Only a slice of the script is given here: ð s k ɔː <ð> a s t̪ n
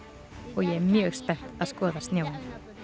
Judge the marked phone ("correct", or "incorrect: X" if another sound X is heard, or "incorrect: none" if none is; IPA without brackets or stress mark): correct